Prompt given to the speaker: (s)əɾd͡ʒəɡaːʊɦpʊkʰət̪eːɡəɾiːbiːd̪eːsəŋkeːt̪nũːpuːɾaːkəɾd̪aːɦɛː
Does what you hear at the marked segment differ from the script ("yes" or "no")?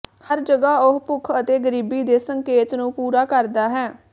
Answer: yes